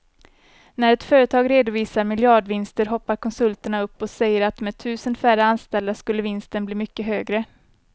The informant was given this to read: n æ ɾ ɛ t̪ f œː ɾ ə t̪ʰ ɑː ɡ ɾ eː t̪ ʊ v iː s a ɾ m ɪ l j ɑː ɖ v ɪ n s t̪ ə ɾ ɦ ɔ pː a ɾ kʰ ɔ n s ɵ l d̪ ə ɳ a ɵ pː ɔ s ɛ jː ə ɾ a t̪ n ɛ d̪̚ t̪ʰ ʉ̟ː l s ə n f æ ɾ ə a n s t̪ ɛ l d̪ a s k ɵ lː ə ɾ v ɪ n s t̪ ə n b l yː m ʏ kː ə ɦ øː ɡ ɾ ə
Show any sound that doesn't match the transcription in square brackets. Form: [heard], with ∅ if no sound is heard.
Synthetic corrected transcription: n æ ɾ ɛ t̪ f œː ɾ ə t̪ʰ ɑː ɡ ɾ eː [d̪] ʊ v iː s a ɾ m ɪ l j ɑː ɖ v ɪ n s t̪ ə ɾ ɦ ɔ pː a ɾ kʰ ɔ n s ɵ l [t̪] ə ɳ a ɵ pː ɔ s ɛ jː ə ɾ a t̪ [m] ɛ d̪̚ t̪ʰ ʉ̟ː [∅] s ə n f æ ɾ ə a n s t̪ ɛ l d̪ a s k ɵ lː ə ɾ v ɪ n s t̪ ə n b l [iː] m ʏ kː ə ɦ øː ɡ ɾ ə